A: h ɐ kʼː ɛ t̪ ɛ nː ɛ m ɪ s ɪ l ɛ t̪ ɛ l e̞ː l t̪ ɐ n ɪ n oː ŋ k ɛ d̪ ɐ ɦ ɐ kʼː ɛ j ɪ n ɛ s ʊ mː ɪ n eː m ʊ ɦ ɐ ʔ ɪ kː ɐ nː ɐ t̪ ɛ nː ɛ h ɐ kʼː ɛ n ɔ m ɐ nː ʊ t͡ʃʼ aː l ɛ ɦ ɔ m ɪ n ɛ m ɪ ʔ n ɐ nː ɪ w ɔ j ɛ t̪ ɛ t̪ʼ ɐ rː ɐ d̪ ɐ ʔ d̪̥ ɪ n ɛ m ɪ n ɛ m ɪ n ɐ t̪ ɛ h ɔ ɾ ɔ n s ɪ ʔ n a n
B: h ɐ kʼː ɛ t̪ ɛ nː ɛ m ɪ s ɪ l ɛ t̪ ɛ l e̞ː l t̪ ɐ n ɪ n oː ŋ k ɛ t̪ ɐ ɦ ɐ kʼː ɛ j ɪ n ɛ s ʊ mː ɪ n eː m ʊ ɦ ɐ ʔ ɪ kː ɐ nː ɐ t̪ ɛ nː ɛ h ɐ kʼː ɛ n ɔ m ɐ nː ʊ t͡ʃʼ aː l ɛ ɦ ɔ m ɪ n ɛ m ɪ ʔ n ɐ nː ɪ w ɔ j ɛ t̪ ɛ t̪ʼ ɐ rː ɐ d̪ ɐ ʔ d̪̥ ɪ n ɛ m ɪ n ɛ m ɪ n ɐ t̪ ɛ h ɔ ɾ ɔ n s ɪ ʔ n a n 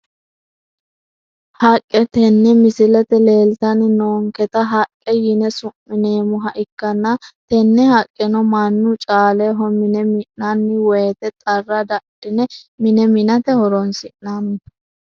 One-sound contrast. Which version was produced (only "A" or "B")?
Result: B